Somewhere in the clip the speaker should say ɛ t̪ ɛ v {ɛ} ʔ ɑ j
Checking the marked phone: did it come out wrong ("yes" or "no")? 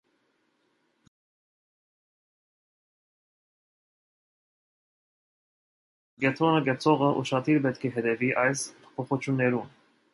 yes